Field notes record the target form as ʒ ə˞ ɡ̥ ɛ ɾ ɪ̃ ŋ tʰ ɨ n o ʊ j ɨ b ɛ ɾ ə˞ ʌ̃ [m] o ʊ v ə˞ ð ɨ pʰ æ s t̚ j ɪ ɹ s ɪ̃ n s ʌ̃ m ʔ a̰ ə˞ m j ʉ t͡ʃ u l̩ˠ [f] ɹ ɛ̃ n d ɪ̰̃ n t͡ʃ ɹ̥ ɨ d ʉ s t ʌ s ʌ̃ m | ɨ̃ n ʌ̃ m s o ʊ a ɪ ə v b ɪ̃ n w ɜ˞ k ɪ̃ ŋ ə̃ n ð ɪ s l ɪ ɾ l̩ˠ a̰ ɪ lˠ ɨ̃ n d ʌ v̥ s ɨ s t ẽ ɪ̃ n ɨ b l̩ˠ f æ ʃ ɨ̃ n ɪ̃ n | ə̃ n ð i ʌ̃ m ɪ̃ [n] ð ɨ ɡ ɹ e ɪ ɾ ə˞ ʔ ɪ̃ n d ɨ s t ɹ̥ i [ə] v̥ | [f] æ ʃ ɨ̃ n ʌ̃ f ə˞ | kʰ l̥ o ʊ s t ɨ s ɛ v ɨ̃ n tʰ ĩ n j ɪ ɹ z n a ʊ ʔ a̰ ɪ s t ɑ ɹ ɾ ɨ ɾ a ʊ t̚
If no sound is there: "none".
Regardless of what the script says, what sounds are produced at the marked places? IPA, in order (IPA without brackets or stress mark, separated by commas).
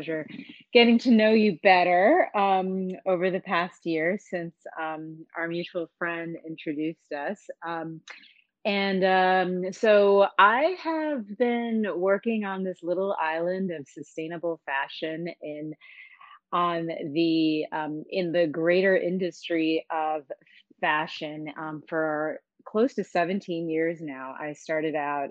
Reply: m, f, n, ʌ, f